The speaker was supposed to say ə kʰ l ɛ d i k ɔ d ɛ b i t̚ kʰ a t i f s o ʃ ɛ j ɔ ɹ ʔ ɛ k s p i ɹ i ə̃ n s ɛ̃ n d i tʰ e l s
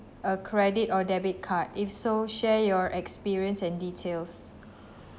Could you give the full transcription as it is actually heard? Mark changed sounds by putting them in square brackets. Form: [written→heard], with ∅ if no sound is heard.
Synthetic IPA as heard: ə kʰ [l→ɹ] ɛ d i [k→t] ɔ d ɛ b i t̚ kʰ a t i f s o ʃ ɛ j ɔ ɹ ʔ ɛ k s p i ɹ i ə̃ n s ɛ̃ n d i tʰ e l s